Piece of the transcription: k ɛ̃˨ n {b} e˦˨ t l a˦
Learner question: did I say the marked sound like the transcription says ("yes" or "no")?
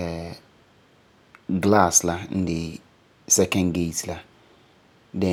no